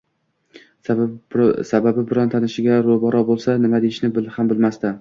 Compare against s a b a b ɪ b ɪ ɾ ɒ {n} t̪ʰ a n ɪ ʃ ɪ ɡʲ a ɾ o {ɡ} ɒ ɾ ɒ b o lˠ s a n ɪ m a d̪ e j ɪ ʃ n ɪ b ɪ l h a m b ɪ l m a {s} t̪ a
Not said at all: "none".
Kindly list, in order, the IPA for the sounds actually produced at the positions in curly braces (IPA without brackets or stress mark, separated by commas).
n, b, s